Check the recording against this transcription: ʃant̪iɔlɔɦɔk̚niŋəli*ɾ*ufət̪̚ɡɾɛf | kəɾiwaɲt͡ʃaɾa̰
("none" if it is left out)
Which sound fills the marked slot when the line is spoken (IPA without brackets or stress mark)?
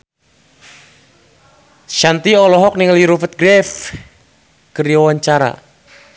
ɾ